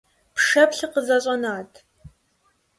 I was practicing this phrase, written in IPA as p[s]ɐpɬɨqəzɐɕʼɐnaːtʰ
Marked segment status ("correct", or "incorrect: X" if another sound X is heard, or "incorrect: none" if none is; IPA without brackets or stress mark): incorrect: ʂ